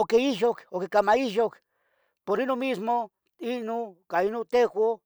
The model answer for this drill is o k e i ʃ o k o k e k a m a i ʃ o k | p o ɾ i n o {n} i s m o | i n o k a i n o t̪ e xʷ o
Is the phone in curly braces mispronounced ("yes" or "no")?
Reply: yes